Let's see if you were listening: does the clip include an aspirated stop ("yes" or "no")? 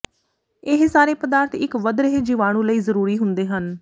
no